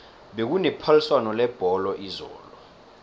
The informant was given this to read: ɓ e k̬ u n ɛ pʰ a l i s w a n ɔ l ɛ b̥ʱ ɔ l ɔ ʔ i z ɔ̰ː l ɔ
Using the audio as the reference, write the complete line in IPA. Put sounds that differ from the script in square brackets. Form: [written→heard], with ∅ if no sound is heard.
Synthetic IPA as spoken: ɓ e k̬ u n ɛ pʰ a l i s w a n ɔ l ɛ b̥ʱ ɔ l ɔ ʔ i z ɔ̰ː l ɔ